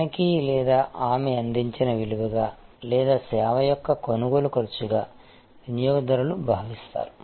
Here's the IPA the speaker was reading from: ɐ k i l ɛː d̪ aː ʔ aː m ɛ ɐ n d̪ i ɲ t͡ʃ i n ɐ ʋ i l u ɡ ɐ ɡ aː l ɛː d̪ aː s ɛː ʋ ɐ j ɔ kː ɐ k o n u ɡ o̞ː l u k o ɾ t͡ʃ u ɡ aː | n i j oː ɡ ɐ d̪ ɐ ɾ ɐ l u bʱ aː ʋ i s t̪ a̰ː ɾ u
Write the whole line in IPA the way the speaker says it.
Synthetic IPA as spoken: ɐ k i l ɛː d̪ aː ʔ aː m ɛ ɐ n d̪ i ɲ t͡ʃ i n ɐ ʋ i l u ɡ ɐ ɡ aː l ɛː d̪ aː s ɛː ʋ ɐ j ɔ kː ɐ k o n u ɡ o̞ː l u k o ɾ t͡ʃ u ɡ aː | n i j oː ɡ ɐ d̪ ɐ ɾ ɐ l u bʱ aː ʋ i s t̪ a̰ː ɾ u